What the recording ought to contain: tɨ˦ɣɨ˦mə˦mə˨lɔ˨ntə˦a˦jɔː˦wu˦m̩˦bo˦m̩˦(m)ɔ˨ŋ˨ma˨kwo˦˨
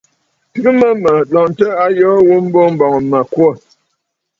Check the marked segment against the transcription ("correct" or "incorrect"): incorrect